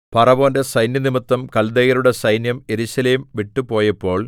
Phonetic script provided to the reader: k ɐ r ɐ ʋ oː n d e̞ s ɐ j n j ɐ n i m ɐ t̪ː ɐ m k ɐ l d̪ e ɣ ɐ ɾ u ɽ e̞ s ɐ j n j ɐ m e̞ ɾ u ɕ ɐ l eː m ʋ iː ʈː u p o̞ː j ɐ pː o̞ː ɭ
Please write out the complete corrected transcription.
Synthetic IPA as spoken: p ɐ r ɐ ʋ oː n d e̞ s ɐ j n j ɐ n i m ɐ t̪ː ɐ m k ɐ l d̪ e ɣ ɐ ɾ u ɽ e̞ s ɐ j n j ɐ m e̞ ɾ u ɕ ɐ l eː m ʋ i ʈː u p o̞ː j ɐ pː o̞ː ɭ